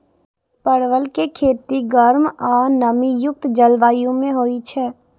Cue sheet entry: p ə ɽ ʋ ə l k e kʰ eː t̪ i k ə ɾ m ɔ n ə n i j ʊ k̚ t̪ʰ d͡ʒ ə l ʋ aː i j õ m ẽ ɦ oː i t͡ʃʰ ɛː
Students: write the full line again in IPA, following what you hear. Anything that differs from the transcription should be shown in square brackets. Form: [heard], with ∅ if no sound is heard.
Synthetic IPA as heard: p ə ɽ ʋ ə l k e kʰ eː t̪ i [ɡ] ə ɾ m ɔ n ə [m] i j ʊ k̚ [t̪] d͡ʒ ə l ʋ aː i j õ m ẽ ɦ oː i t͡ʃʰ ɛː